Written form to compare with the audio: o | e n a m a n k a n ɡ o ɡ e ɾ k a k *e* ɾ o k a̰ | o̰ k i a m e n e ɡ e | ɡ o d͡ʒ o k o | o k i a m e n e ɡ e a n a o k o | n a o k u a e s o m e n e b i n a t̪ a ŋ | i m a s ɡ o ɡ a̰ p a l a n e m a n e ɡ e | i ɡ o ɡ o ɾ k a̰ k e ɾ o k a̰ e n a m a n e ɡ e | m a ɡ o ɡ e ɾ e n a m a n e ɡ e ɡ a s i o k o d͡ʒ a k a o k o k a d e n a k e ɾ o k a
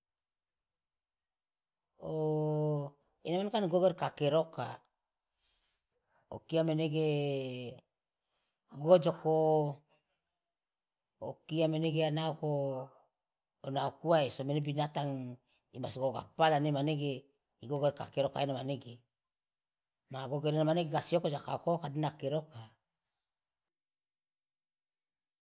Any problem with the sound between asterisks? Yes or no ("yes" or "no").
no